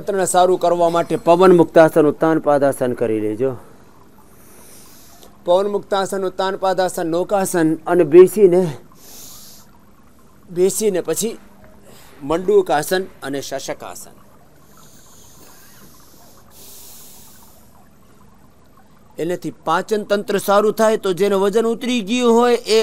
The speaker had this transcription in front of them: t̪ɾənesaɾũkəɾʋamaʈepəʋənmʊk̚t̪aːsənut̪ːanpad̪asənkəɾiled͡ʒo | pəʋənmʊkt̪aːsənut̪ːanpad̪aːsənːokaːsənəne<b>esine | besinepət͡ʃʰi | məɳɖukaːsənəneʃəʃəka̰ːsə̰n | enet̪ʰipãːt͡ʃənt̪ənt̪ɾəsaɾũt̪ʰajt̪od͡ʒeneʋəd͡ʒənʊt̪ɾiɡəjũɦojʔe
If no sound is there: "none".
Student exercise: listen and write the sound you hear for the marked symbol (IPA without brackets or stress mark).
b